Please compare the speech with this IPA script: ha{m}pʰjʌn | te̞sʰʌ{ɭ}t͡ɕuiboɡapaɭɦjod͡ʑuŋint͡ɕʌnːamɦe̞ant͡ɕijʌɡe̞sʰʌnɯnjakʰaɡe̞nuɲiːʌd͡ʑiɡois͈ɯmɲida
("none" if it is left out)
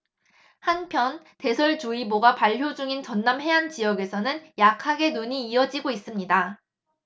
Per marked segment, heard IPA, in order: n, ɭ

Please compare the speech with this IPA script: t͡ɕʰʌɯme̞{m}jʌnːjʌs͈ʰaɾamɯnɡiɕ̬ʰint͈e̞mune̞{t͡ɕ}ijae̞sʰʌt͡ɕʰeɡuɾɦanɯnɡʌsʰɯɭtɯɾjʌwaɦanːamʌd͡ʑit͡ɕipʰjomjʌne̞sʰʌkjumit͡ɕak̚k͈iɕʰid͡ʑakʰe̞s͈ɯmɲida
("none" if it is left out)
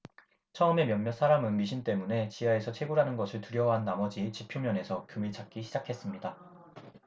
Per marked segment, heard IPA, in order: m, t͡ɕ

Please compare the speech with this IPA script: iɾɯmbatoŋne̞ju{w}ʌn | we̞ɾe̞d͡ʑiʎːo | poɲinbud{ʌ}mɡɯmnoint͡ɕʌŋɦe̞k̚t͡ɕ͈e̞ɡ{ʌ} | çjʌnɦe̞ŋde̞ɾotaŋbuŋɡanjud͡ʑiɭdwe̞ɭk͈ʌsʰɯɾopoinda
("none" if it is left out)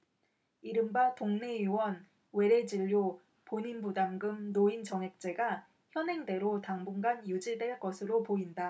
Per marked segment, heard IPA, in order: w, a, a

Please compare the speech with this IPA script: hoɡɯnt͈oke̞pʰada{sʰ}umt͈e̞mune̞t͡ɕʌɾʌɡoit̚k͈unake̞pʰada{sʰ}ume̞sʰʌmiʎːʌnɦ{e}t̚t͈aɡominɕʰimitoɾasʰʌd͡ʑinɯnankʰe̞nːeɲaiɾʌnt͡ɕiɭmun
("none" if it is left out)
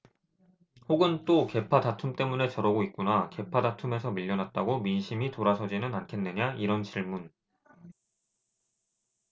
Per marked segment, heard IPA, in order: tʰ, tʰ, a

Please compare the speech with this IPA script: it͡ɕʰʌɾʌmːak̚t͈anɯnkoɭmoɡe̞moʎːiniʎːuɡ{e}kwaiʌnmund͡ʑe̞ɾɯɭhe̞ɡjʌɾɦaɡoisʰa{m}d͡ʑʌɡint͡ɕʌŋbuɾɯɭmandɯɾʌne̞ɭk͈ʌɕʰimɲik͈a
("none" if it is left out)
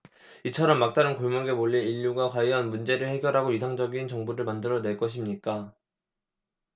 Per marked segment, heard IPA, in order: a, ŋ

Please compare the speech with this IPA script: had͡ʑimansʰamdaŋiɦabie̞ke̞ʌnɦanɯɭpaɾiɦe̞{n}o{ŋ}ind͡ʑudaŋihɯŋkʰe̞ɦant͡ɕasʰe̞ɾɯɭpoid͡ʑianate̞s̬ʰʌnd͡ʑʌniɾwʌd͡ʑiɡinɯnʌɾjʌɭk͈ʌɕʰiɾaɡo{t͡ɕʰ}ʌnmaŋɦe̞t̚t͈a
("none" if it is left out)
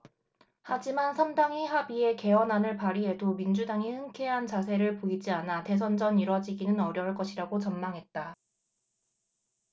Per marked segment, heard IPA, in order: d, m, t͡ɕ

